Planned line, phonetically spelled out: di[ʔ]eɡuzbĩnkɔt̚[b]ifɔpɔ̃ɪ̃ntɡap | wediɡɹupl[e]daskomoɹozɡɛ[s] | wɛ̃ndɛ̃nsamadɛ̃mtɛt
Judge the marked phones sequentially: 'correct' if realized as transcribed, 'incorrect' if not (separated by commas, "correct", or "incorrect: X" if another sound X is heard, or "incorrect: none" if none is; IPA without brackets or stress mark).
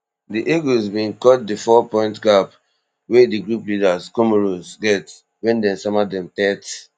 correct, incorrect: d, incorrect: i, incorrect: t